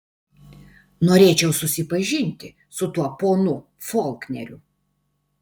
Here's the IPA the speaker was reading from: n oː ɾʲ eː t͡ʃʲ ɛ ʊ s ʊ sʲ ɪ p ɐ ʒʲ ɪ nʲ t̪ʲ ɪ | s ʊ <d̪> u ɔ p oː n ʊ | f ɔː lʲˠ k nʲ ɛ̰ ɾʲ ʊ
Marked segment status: incorrect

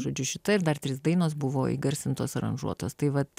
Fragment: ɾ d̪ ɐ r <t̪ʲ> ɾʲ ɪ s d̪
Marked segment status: correct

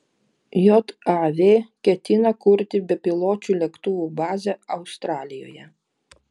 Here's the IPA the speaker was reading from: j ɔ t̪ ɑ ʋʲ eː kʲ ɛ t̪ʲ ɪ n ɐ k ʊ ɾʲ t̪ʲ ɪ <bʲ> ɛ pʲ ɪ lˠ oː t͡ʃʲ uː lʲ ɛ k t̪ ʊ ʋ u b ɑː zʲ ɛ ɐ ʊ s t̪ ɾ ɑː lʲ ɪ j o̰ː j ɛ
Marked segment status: correct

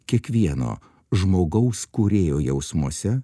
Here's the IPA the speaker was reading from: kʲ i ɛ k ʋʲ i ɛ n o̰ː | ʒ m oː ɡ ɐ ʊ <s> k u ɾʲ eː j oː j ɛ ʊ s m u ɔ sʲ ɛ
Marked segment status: correct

